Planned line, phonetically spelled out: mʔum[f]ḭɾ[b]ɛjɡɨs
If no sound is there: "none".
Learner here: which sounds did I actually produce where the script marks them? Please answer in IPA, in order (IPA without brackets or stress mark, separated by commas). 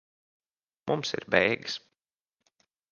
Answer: s, b